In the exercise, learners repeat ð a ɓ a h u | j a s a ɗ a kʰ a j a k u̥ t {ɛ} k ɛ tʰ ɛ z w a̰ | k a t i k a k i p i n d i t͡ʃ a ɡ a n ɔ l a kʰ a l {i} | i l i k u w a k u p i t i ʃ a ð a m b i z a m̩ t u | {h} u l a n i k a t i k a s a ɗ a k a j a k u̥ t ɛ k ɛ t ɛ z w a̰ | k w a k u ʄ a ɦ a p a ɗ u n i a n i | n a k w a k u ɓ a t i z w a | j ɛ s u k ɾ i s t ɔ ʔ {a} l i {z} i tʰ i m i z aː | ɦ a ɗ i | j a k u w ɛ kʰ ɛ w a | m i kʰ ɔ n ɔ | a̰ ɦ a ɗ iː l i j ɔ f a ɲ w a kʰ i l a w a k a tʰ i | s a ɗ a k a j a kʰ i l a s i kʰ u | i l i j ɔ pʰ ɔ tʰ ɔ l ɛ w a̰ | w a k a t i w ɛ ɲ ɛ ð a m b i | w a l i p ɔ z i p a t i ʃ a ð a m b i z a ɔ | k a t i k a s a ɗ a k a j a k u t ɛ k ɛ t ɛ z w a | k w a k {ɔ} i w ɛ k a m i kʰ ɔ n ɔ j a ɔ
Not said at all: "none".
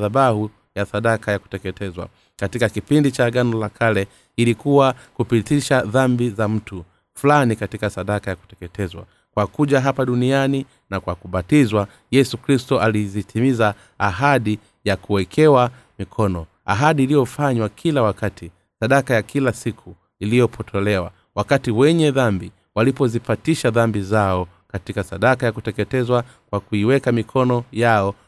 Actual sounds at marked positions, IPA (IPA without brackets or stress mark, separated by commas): ɛ, ɛ, f, a, z, u